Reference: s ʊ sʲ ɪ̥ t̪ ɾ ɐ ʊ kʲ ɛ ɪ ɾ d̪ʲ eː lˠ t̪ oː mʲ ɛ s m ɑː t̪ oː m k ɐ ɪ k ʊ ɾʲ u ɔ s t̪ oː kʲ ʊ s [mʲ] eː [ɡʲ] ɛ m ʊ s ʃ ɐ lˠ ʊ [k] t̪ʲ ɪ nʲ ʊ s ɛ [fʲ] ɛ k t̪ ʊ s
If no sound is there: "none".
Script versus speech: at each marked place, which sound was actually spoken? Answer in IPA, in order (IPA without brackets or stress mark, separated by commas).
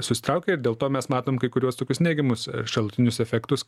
nʲ, ɡʲ, none, fʲ